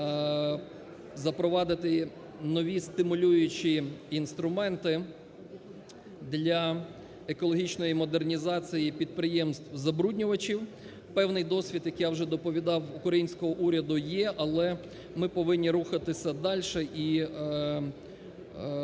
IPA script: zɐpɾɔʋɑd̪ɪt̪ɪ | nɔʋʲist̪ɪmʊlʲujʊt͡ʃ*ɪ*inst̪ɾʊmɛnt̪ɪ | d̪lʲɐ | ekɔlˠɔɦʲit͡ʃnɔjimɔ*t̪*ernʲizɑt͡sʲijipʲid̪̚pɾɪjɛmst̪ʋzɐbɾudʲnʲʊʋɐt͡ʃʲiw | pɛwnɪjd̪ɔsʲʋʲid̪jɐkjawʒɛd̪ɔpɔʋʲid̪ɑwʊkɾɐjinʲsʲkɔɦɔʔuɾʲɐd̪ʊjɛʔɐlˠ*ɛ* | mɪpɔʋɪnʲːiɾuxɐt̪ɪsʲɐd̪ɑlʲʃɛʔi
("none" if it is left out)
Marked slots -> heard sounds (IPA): i, d̪, ɛ

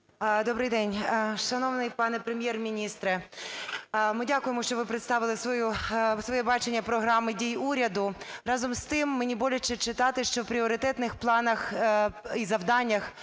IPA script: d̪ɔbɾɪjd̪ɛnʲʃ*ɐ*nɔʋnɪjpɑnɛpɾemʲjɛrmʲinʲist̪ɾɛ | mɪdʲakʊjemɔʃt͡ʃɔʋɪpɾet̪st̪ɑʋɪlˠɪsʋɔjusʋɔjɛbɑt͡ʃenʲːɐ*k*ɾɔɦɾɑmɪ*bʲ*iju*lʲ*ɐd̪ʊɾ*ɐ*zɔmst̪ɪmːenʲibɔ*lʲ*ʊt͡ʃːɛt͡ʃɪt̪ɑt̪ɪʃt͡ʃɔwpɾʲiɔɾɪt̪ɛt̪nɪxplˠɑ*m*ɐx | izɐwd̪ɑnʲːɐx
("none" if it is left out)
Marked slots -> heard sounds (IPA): ɐ, p, dʲ, ɾʲ, ɑ, lʲ, n

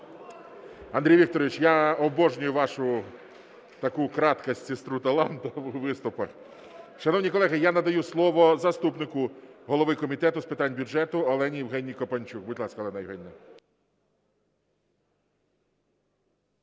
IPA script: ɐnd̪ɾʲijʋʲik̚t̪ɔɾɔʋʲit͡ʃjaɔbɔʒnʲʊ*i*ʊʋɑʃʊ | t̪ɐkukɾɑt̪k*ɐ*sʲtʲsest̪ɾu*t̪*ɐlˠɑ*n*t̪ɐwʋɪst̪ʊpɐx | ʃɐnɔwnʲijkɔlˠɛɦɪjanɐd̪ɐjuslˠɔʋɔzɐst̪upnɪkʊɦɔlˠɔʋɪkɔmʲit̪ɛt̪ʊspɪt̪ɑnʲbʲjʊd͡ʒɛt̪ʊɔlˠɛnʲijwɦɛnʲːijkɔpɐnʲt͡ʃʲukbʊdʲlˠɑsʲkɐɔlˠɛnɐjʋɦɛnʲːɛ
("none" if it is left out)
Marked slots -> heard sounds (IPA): j, ɐ, t̪, n

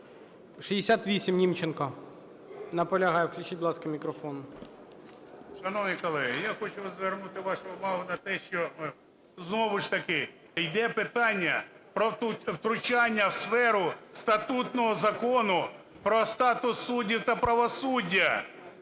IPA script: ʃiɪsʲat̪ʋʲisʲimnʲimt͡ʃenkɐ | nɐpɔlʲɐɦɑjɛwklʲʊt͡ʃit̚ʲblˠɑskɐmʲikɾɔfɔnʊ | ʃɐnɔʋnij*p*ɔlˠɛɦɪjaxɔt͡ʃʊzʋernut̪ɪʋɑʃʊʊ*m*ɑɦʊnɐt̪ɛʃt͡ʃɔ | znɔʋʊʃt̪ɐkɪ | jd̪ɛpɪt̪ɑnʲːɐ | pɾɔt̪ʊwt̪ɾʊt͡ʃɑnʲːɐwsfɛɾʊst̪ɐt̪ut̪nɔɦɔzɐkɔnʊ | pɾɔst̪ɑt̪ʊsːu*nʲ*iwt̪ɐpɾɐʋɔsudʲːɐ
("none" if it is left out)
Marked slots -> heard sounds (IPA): k, m, dʲ

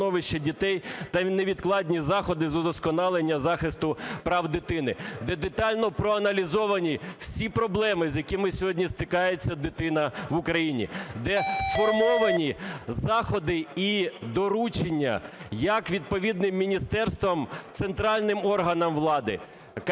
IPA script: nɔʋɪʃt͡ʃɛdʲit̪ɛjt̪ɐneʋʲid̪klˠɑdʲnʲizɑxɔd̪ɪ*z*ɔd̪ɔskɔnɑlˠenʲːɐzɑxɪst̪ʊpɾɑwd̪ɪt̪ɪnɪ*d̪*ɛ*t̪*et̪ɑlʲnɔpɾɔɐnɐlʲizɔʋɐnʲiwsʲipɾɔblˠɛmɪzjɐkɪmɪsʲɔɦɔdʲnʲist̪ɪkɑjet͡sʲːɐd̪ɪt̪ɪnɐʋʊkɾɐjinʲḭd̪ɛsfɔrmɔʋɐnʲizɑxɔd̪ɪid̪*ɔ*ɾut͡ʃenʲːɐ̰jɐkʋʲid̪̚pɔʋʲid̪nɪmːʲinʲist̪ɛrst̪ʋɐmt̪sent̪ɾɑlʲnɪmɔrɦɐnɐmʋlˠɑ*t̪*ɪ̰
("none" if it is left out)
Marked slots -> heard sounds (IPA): z, d̪, d̪, ɔ, d̪

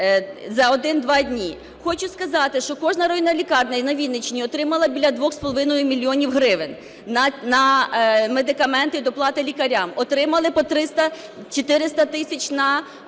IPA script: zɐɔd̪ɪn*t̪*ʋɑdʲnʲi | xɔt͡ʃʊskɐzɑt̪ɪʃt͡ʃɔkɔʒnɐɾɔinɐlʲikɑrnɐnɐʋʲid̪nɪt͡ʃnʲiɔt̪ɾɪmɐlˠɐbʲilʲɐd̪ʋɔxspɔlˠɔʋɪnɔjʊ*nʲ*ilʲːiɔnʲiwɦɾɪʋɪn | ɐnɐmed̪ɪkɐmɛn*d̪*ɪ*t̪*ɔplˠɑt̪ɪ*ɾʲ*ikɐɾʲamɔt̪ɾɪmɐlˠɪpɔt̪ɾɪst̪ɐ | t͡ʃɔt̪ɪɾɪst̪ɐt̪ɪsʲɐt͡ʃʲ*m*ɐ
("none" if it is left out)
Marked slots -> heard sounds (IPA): d̪, mʲ, t̪, d̪, lʲ, n

